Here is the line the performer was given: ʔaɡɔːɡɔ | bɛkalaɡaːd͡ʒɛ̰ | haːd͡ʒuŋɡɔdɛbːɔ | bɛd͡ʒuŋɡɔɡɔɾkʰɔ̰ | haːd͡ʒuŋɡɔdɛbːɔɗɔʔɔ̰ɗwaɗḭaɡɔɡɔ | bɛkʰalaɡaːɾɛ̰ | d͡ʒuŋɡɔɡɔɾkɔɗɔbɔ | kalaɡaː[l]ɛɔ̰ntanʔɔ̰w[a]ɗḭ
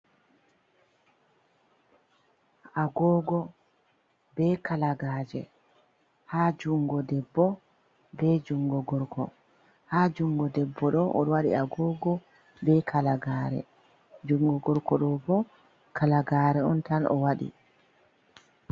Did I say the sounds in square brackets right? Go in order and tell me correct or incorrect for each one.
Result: incorrect, correct

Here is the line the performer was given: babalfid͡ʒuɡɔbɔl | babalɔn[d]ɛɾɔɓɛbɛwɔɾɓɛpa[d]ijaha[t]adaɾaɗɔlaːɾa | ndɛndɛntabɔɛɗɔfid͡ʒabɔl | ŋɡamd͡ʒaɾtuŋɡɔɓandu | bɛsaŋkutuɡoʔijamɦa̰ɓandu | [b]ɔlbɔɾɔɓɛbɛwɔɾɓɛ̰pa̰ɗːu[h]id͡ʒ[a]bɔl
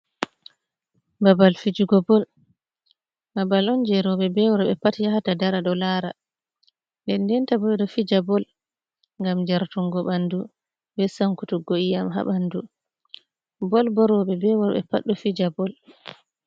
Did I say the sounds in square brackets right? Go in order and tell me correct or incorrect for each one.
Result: incorrect, incorrect, correct, correct, incorrect, correct

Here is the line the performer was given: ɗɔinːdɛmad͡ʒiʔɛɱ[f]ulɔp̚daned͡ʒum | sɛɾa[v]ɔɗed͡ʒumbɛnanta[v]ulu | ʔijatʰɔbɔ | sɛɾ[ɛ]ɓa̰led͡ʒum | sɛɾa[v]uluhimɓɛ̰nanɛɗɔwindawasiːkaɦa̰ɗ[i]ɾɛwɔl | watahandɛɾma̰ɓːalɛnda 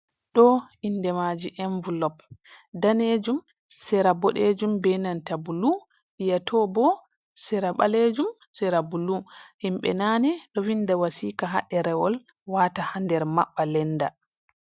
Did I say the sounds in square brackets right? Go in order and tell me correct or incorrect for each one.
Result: incorrect, incorrect, incorrect, incorrect, incorrect, incorrect

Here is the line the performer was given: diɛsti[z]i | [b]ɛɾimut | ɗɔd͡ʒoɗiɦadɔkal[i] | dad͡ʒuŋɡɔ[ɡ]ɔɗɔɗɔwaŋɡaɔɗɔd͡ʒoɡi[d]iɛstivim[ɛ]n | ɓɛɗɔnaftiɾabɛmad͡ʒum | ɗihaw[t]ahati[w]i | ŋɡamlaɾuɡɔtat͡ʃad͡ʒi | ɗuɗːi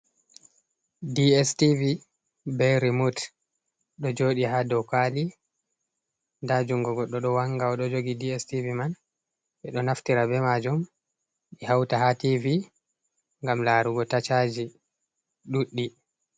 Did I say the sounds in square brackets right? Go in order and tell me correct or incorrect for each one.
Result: incorrect, correct, correct, correct, correct, incorrect, correct, incorrect

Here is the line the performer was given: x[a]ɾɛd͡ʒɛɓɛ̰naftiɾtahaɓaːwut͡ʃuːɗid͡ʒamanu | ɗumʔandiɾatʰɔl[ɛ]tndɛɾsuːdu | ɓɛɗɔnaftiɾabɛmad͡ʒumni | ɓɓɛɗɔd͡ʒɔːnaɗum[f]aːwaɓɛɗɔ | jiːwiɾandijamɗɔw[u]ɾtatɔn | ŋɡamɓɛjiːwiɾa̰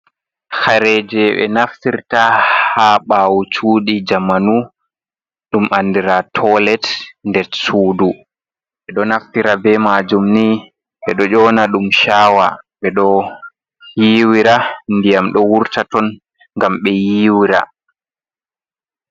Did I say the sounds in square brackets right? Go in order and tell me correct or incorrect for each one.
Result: correct, correct, incorrect, correct

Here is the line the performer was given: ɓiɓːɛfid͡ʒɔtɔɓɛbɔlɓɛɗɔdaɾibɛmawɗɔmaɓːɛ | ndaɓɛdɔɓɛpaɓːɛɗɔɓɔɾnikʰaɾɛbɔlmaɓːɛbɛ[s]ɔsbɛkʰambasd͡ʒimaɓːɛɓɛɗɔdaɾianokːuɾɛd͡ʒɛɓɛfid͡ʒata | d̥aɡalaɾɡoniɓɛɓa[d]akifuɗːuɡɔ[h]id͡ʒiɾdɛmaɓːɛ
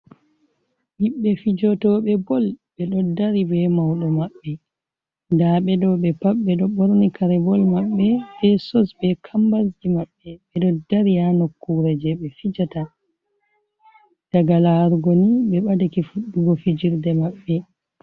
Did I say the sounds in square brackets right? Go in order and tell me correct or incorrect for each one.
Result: correct, correct, incorrect

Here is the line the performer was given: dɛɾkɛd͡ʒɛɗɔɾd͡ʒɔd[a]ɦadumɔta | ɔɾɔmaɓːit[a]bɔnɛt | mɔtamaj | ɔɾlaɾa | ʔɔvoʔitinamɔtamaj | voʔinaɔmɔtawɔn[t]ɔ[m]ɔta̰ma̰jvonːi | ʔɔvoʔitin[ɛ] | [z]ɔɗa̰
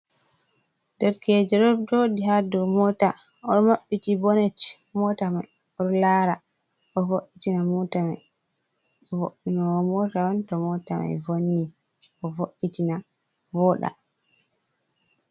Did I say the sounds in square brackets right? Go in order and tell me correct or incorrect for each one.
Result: incorrect, incorrect, correct, correct, incorrect, incorrect

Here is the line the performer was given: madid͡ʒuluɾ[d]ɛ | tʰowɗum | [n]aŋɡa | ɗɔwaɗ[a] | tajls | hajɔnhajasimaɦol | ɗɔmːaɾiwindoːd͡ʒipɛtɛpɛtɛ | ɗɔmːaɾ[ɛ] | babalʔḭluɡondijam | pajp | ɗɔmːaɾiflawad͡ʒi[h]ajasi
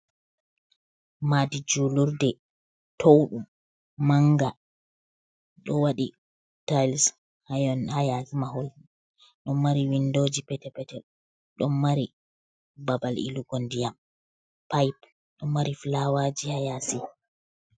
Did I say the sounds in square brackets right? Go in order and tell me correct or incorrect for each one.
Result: correct, incorrect, incorrect, incorrect, correct

